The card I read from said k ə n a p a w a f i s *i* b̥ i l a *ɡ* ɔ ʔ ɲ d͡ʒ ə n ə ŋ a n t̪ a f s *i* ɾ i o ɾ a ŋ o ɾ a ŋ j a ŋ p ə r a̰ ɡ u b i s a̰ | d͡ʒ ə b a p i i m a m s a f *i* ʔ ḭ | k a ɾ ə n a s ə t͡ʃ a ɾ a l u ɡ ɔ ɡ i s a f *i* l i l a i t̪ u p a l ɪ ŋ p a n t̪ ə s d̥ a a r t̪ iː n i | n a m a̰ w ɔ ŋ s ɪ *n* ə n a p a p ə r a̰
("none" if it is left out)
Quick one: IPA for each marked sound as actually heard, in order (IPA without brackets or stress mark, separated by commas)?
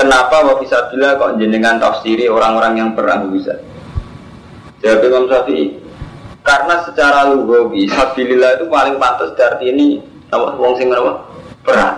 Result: a, k, i, i, i, ŋ